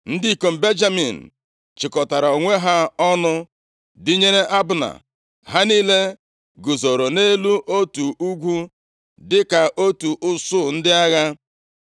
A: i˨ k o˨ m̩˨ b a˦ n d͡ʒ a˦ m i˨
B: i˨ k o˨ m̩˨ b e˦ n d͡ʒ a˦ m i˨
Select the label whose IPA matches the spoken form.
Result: B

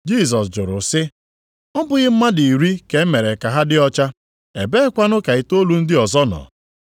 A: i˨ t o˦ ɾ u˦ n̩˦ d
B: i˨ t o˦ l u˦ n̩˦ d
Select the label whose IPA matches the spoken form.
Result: B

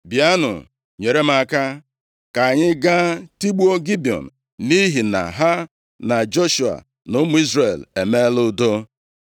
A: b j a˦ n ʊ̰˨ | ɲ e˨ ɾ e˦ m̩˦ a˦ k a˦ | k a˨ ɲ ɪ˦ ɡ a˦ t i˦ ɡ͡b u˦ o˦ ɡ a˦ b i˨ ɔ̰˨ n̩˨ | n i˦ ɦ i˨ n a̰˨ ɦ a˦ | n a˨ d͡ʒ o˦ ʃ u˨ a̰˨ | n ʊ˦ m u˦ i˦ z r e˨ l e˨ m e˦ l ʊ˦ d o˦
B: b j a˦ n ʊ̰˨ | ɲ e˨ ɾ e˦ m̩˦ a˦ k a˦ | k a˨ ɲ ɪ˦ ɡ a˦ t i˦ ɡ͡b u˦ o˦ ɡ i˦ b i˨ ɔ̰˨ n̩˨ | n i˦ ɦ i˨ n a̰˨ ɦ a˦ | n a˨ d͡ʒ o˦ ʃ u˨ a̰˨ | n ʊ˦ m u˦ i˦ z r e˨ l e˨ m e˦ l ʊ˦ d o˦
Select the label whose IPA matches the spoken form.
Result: B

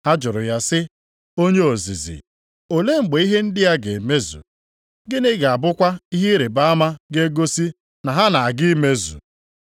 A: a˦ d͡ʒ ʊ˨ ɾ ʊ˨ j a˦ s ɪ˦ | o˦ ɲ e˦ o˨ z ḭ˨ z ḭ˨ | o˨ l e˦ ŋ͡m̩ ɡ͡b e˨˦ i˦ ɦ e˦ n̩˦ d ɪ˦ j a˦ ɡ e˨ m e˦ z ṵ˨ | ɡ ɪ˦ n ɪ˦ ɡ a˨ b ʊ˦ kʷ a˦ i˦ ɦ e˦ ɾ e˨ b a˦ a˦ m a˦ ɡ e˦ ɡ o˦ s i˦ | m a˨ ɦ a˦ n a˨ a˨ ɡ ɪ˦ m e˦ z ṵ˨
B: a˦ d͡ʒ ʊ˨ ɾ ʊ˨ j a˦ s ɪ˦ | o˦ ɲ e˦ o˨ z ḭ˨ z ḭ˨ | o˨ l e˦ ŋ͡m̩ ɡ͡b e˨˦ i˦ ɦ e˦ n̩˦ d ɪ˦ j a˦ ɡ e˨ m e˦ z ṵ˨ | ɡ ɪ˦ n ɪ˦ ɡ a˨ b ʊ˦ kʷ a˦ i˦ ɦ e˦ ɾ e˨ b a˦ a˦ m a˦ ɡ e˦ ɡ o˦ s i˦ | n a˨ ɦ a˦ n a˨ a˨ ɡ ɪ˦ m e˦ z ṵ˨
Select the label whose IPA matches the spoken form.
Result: B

